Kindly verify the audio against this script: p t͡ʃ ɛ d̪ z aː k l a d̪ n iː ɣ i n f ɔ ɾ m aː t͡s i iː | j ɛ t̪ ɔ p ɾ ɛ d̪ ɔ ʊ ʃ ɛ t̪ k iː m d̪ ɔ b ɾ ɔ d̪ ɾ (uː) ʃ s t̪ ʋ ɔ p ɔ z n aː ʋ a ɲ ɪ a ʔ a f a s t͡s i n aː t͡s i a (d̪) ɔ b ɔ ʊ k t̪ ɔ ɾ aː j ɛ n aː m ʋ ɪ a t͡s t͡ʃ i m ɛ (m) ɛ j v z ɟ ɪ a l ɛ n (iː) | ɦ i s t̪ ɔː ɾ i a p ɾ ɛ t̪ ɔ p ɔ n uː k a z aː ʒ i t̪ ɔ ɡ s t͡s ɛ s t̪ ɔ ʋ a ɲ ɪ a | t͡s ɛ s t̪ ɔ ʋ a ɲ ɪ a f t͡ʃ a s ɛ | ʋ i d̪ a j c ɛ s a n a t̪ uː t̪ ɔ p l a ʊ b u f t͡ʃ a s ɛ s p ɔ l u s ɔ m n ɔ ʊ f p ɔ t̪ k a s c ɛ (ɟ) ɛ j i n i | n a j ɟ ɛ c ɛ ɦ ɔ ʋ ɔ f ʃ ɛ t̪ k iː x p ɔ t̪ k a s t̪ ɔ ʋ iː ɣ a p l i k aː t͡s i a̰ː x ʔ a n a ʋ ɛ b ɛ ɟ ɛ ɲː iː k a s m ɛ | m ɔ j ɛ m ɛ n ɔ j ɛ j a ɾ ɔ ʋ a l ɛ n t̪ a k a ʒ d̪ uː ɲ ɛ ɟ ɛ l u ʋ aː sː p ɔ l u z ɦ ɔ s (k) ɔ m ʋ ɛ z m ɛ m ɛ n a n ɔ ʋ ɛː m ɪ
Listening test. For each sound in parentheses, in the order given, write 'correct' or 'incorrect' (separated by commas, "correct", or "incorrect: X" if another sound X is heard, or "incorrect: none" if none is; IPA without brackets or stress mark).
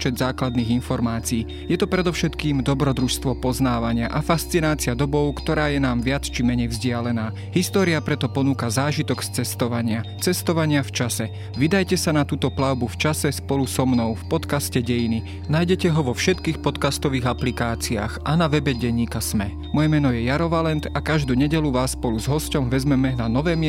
incorrect: u, correct, incorrect: ɲ, incorrect: aː, correct, incorrect: c